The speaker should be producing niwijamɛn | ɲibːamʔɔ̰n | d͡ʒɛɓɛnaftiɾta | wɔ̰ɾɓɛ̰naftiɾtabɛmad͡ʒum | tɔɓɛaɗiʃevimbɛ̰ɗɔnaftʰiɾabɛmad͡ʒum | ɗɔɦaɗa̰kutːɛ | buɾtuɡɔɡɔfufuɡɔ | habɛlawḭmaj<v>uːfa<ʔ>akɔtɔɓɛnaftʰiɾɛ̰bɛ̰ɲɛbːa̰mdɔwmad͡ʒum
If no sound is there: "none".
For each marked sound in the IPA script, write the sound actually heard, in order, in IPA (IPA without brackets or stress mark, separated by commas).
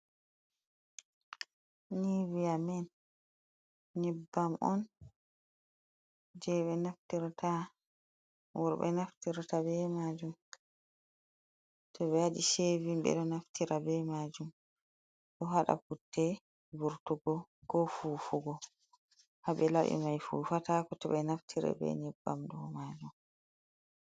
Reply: f, t